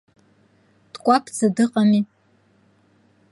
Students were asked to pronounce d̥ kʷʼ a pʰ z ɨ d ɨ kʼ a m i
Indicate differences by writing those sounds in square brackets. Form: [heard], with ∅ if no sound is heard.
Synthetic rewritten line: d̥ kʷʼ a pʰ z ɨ d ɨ [qʼ] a m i